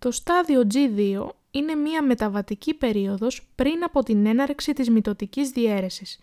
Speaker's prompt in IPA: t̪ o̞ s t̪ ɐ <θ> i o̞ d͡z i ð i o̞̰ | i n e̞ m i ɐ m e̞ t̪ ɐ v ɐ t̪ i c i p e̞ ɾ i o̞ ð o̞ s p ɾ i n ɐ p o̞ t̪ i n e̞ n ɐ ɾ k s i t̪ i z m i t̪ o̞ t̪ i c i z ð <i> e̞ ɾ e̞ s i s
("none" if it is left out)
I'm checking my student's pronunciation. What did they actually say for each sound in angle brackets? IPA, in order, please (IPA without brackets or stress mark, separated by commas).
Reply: ð, i